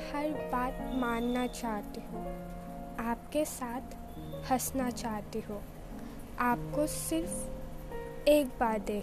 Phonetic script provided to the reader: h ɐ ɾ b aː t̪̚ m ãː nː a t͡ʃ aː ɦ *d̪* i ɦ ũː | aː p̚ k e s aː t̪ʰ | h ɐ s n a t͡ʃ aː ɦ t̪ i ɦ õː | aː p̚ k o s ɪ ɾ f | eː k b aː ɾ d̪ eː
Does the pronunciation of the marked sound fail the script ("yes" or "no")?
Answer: yes